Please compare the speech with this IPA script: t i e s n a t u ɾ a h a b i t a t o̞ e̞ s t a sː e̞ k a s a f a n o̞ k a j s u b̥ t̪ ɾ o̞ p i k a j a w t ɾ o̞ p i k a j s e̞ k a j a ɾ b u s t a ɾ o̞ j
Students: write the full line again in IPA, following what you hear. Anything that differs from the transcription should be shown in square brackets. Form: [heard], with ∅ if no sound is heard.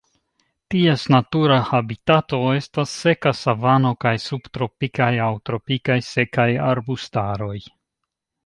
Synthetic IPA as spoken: t i e s n a t u ɾ a h a b i t a t o̞ e̞ s t a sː e̞ k a s a [v] a n o̞ k a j s u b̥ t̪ ɾ o̞ p i k a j a w t ɾ o̞ p i k a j s e̞ k a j a ɾ b u s t a ɾ o̞ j